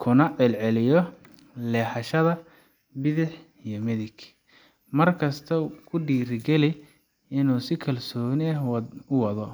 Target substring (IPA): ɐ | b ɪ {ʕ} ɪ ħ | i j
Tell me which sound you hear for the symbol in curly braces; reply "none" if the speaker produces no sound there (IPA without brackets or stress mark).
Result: ð